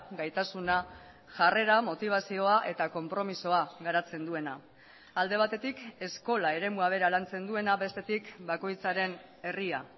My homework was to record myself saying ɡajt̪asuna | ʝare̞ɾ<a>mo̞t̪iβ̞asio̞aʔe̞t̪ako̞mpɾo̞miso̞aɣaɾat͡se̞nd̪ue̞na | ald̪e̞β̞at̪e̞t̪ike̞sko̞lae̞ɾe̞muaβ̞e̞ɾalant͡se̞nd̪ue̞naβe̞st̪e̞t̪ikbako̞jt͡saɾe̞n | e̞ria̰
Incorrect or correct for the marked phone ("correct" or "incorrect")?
correct